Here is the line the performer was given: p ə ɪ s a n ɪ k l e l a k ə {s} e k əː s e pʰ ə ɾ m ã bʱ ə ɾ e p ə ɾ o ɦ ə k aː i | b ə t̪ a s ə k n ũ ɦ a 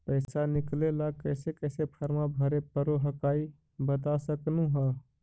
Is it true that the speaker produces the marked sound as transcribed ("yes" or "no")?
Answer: yes